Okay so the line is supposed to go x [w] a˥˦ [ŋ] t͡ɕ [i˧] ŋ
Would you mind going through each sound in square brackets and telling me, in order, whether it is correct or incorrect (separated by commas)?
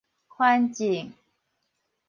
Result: correct, incorrect, incorrect